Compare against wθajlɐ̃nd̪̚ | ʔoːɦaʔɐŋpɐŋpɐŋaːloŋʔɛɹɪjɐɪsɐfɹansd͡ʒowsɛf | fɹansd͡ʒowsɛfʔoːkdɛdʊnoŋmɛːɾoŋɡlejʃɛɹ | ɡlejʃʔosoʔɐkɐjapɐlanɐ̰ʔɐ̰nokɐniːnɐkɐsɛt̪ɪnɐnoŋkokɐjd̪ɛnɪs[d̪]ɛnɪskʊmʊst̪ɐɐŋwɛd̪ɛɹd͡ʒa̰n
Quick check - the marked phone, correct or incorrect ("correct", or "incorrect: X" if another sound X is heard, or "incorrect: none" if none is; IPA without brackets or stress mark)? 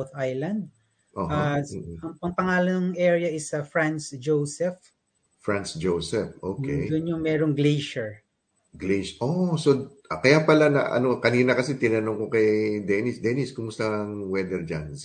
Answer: correct